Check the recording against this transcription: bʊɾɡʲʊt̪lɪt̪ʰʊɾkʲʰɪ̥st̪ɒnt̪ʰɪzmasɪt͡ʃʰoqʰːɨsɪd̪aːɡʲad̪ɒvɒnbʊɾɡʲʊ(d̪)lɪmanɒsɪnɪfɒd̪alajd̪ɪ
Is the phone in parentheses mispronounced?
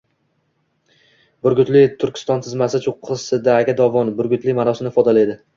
yes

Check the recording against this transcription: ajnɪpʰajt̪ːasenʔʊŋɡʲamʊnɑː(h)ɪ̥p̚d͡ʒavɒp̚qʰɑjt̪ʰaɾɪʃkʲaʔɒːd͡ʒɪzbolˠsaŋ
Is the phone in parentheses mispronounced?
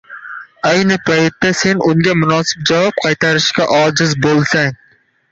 yes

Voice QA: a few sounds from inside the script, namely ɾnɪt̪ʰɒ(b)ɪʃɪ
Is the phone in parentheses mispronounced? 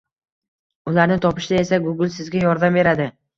yes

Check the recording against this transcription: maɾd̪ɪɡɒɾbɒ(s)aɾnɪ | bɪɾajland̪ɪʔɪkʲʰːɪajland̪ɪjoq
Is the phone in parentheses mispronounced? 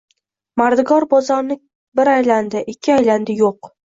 yes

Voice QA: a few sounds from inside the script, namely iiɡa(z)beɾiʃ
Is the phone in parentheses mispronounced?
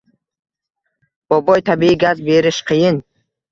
no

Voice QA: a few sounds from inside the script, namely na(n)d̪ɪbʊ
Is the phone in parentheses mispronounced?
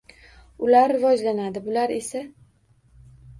yes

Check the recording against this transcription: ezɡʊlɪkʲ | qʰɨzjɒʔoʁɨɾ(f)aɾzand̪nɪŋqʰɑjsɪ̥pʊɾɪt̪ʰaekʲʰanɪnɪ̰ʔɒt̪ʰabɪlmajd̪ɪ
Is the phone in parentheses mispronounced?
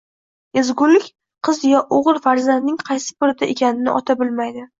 no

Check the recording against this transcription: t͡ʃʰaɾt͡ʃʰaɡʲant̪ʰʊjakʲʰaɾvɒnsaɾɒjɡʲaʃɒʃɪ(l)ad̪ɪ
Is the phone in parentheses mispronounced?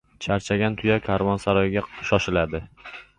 no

